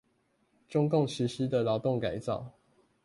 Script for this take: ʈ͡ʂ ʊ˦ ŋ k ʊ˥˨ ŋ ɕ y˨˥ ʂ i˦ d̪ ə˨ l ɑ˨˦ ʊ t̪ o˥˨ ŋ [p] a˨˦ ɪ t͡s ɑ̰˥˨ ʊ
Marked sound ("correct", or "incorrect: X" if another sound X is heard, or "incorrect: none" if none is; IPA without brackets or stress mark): incorrect: k